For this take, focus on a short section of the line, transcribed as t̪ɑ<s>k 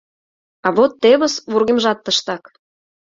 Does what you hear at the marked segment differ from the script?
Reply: yes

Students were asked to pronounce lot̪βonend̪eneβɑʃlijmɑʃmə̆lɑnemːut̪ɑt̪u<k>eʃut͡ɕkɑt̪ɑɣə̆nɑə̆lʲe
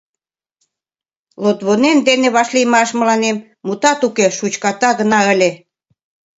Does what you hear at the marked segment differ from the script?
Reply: no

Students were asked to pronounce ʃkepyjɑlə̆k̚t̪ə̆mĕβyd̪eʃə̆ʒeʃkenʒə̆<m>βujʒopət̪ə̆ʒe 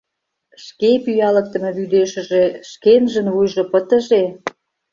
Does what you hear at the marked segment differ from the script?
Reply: yes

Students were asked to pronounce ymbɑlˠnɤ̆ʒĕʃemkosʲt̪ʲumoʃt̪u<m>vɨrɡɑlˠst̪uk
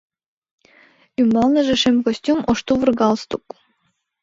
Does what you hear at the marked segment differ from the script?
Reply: yes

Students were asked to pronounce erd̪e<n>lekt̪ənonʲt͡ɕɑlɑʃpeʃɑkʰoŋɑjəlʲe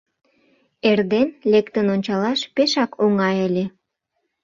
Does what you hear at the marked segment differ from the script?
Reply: no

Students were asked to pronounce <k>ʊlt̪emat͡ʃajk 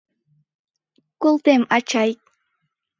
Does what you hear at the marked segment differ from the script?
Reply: no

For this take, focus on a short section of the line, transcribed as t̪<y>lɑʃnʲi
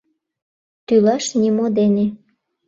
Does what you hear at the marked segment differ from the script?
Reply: no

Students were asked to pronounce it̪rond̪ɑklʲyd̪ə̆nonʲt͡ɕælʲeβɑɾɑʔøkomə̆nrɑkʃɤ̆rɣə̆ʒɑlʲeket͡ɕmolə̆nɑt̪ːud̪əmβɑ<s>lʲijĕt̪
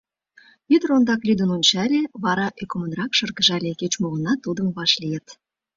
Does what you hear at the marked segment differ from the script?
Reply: yes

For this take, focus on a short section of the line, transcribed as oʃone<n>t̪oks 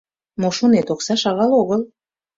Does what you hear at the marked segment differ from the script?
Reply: yes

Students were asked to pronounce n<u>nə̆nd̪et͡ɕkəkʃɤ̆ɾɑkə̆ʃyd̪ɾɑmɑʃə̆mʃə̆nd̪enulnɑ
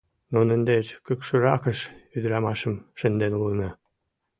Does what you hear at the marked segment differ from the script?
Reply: yes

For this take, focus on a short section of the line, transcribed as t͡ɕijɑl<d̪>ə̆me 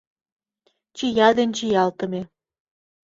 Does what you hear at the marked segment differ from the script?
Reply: yes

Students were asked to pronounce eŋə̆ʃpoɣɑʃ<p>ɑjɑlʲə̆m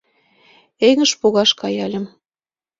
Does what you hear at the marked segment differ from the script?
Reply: yes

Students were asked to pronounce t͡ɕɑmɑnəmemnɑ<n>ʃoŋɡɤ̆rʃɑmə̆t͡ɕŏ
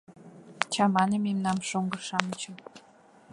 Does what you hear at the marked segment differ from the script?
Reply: yes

